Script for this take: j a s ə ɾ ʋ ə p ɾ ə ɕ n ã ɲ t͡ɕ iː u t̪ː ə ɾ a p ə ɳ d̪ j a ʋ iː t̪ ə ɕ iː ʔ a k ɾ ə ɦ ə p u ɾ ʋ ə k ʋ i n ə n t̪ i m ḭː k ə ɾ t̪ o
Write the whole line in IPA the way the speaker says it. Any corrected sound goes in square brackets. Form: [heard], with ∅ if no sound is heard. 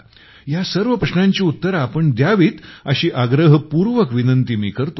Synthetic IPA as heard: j a s ə ɾ ʋ ə p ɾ ə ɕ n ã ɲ t͡ɕ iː u t̪ː ə ɾ a p ə ɳ d̪ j a ʋ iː t̪ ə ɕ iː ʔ a [ɡ] ɾ ə ɦ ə p u ɾ ʋ ə k ʋ i n ə n t̪ i m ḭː k ə ɾ t̪ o